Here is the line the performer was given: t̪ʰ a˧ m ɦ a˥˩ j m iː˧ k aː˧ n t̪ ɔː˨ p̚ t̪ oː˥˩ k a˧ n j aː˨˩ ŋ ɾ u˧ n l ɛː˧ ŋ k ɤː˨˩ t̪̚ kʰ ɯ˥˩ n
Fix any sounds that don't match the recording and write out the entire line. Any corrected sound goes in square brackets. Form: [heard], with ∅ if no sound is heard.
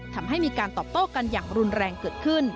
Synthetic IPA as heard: t̪ʰ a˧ m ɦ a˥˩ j m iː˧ k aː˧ n t̪ ɔː˨ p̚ t̪ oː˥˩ k a˧ n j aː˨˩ ŋ ɾ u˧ n [ɾ] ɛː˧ ŋ k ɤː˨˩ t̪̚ kʰ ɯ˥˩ n